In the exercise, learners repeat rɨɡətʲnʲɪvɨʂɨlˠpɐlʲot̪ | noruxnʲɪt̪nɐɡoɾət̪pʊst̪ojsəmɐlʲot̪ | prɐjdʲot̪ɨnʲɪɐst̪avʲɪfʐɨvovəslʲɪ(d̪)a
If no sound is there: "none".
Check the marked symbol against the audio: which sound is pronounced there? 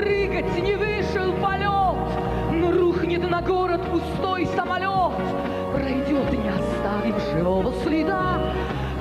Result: d̪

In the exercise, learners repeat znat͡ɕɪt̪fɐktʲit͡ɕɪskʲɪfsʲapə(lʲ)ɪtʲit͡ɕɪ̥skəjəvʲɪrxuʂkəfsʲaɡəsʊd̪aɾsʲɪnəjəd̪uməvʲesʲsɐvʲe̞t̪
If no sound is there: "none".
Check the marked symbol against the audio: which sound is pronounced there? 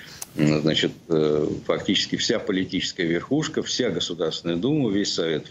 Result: lʲ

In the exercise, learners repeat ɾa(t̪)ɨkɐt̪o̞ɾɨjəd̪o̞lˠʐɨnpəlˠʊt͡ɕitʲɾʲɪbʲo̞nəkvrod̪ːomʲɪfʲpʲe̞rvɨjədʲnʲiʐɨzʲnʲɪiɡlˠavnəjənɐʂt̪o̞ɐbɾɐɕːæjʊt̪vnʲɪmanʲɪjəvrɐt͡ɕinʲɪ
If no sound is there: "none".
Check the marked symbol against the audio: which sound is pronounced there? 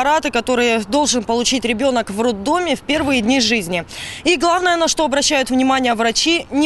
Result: t̪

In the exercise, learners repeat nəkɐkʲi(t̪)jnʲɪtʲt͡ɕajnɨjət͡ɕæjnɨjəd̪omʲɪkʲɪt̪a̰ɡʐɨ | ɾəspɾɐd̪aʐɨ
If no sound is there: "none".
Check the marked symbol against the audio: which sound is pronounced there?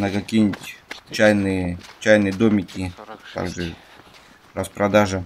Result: none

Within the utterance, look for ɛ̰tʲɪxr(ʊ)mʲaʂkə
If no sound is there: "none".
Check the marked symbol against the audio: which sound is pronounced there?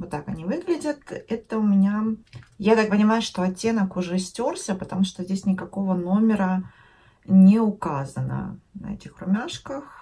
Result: ʊ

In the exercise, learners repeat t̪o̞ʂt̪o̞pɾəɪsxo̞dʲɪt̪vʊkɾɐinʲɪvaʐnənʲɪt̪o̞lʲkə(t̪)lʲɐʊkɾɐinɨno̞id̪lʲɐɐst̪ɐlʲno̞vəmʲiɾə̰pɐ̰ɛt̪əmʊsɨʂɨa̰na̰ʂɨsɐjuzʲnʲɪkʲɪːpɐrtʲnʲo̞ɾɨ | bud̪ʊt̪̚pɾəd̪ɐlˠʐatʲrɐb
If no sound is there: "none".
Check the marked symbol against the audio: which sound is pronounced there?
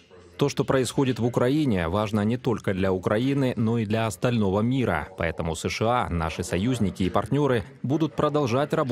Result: d̪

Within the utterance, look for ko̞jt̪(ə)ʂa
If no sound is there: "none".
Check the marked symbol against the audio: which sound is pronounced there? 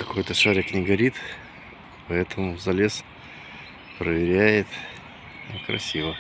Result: ə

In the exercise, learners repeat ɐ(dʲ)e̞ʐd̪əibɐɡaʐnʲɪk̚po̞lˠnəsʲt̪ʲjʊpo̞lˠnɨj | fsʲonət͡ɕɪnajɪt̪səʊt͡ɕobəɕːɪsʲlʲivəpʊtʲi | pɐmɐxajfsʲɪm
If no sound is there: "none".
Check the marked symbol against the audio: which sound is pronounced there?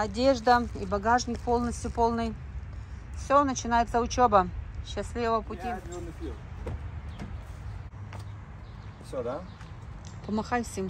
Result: dʲ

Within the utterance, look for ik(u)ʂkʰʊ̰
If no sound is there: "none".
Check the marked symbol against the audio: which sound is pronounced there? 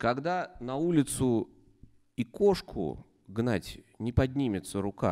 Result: o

